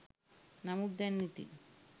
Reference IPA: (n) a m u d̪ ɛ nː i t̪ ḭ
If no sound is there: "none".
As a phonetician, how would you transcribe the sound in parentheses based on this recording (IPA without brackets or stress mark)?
n